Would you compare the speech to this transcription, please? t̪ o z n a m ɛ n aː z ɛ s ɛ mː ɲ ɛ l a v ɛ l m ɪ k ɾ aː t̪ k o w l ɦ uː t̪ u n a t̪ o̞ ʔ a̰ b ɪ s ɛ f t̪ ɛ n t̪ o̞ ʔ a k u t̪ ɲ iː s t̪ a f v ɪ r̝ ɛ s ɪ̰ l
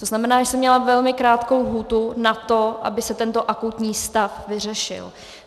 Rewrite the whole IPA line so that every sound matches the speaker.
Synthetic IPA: t̪ o z n a m ɛ n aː ʒ ɛ s ɛ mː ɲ ɛ l a v ɛ l m ɪ k ɾ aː t̪ k o w l ɦ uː t̪ u n a t̪ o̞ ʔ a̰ b ɪ s ɛ t̪ ɛ n t̪ o̞ ʔ a k u t̪ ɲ iː s t̪ a f v ɪ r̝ ɛ ʃ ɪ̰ l